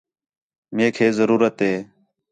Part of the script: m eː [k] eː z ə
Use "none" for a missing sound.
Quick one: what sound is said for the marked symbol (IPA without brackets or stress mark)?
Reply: kʰ